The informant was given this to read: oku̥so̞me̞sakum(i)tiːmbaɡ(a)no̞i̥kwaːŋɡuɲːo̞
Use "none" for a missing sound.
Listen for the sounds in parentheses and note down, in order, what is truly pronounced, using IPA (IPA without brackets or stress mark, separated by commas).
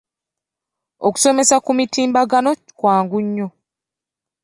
i, a